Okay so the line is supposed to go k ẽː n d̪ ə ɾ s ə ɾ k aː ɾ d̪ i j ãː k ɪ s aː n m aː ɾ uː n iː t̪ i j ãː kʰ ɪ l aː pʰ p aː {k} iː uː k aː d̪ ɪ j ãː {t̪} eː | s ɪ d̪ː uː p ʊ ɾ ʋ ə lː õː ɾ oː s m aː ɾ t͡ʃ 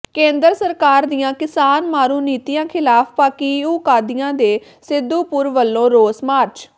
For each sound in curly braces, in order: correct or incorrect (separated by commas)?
correct, incorrect